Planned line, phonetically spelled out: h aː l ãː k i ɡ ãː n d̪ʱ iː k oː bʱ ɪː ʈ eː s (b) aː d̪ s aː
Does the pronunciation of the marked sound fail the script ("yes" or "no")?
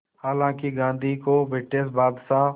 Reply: no